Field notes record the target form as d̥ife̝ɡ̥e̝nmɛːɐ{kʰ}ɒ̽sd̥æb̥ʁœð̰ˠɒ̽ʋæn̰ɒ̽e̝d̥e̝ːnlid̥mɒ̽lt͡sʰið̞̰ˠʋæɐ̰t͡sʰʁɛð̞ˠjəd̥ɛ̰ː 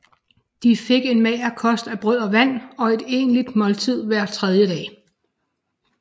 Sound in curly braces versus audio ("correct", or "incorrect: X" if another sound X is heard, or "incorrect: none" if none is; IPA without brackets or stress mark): correct